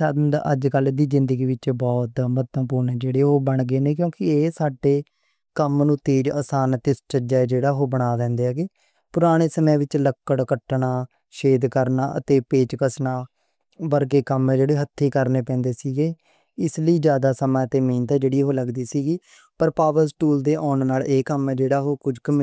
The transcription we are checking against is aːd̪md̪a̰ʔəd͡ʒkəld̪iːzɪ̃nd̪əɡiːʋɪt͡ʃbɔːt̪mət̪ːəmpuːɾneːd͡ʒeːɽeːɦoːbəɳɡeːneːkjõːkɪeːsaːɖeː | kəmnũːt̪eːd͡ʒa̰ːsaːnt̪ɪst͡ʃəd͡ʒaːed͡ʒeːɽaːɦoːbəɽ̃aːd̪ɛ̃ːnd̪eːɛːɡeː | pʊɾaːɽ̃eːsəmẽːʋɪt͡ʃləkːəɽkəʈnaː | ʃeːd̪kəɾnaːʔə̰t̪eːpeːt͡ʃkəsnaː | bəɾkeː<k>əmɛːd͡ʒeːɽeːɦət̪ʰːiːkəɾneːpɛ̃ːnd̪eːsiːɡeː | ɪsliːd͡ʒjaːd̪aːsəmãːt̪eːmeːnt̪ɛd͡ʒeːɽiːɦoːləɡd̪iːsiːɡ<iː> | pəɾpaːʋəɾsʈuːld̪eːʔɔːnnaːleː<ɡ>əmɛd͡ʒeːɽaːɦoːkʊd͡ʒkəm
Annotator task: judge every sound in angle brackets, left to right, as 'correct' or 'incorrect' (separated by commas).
correct, correct, incorrect